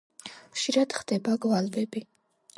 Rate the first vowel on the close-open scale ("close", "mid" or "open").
close